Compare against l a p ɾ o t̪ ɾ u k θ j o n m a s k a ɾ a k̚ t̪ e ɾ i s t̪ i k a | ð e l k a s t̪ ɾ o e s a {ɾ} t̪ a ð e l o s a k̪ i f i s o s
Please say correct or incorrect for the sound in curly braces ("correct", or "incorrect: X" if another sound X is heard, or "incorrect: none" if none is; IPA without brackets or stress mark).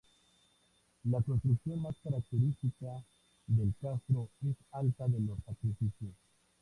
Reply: incorrect: l